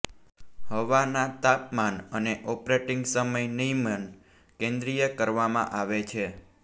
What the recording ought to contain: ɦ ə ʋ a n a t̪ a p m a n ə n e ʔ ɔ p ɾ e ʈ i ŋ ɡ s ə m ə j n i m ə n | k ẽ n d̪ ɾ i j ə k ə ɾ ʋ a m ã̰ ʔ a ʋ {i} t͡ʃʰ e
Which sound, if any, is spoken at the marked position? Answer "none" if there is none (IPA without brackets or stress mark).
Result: e